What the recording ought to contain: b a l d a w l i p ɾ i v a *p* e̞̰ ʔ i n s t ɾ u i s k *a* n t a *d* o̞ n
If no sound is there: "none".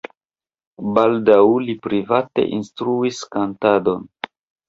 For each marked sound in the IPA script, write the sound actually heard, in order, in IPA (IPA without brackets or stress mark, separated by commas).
t, a, d